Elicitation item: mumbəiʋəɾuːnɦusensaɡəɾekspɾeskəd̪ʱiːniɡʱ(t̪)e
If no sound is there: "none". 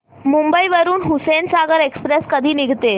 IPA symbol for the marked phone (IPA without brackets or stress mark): t̪